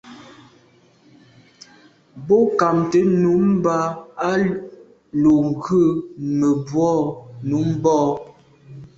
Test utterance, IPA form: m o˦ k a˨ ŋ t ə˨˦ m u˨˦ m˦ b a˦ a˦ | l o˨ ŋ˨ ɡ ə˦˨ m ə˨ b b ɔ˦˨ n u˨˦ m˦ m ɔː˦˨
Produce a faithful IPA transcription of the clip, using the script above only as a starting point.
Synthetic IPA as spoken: b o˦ k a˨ m t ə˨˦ n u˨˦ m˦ b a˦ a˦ | l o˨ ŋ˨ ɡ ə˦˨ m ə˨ b w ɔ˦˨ n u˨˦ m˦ b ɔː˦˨

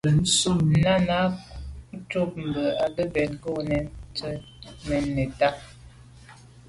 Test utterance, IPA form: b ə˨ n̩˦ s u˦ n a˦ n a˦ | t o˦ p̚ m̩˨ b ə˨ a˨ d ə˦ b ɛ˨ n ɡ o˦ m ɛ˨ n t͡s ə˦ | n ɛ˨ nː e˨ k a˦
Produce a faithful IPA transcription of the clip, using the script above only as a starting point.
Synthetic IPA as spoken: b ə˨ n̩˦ s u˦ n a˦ n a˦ | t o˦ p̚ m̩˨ b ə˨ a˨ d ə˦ b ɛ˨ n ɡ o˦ n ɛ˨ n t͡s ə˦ | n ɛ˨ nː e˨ t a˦

